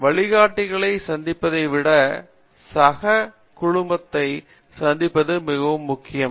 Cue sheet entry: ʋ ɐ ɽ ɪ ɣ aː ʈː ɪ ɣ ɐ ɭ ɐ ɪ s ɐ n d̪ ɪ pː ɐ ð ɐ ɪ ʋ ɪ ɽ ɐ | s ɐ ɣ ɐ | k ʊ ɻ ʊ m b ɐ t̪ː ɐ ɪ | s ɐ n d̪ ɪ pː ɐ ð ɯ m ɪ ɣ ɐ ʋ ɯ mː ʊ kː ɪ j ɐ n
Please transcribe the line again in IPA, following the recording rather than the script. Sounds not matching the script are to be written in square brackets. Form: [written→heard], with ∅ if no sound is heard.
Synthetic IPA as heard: ʋ ɐ [ɽ→ɭ] ɪ ɣ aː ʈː ɪ ɣ ɐ ɭ ɐ ɪ s ɐ n d̪ ɪ pː ɐ ð ɐ ɪ ʋ ɪ ɽ ɐ | s ɐ ɣ ɐ | k ʊ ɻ ʊ m b ɐ t̪ː ɐ ɪ | s ɐ n d̪ ɪ pː ɐ ð ɯ m ɪ ɣ ɐ ʋ ɯ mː ʊ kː ɪ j ɐ [n→m]